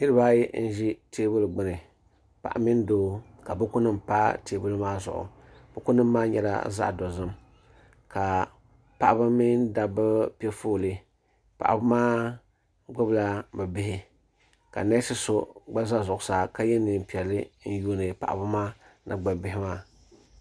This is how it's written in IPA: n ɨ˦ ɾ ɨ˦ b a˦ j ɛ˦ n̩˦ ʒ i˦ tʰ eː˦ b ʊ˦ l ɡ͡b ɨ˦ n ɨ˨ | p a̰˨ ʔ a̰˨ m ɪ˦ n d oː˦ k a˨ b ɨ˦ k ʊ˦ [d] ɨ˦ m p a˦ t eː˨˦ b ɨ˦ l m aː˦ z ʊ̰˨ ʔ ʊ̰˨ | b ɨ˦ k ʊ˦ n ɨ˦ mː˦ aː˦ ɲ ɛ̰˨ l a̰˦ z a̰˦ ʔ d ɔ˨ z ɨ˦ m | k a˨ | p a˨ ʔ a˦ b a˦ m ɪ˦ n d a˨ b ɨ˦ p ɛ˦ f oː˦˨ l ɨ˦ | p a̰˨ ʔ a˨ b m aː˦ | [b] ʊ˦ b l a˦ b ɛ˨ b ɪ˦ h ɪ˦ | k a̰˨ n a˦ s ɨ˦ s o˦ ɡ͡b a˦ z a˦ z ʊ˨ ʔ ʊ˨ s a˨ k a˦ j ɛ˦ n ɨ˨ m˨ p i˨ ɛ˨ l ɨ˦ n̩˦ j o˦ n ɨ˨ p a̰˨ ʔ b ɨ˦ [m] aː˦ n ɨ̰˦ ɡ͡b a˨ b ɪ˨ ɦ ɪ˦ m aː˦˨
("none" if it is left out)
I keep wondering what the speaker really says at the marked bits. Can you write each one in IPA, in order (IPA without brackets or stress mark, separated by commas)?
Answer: n, ɡ͡b, m